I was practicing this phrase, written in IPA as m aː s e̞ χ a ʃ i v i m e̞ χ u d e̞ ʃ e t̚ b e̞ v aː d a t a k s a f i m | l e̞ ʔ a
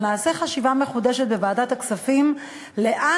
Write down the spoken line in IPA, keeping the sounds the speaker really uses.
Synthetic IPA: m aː s e̞ χ a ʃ i v a m e̞ χ u d e̞ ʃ e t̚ b e̞ v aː d a t a k s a f i m | l e̞ ʔ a